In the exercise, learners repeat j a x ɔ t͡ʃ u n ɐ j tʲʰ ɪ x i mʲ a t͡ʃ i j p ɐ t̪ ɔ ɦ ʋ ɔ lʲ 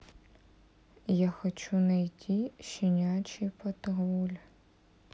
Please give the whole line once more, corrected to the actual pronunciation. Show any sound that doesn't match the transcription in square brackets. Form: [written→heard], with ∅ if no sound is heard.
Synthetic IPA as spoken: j a x ɔ t͡ʃ u n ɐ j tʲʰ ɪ [x→ʃ] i [mʲ→nʲ] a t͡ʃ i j p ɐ t̪ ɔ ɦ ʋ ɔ lʲ